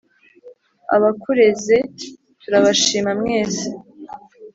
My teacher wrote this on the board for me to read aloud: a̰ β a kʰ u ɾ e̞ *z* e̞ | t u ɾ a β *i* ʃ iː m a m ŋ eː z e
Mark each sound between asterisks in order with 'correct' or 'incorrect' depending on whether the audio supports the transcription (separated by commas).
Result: correct, incorrect